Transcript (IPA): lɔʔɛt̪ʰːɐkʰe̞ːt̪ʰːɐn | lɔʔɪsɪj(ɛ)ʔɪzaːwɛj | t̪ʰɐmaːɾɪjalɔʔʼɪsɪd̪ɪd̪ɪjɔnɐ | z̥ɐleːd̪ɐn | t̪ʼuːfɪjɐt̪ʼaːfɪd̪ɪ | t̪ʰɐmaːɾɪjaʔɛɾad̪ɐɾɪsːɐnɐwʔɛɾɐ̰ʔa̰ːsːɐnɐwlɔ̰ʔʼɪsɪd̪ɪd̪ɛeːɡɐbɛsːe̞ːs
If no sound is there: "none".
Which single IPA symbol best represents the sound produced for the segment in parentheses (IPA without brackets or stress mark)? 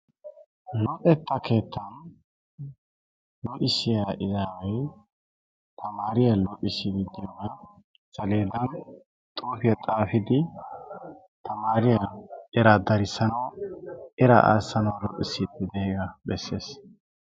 a